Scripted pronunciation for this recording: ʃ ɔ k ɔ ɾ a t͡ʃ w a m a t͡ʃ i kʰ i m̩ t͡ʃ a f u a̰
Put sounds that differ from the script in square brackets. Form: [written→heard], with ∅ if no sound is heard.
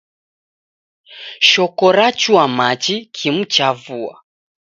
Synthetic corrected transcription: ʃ ɔ k ɔ ɾ a t͡ʃ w a m a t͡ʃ i kʰ i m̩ t͡ʃ a [f→v] u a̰